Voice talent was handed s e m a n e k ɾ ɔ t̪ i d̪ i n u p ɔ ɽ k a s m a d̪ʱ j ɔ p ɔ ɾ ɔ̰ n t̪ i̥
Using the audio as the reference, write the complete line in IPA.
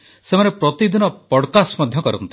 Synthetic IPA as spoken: s e m a n e p ɾ ɔ t̪ i d̪ i n ɔ p ɔ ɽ k a s m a d̪ʱ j ɔ k ɔ ɾ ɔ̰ n t̪ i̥